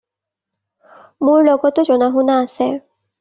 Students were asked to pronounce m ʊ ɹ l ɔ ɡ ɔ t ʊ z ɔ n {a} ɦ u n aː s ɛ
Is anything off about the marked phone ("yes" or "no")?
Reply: no